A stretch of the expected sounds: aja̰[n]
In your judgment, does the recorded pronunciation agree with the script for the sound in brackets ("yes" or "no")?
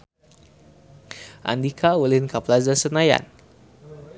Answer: yes